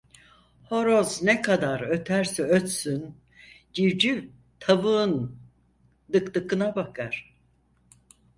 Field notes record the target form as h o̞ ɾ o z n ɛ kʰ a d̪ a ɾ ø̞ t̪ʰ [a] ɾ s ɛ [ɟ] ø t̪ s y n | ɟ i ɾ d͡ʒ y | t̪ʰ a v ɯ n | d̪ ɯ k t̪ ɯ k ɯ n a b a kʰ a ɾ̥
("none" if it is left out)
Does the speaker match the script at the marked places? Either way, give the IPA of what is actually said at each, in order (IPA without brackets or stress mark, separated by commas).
æ, none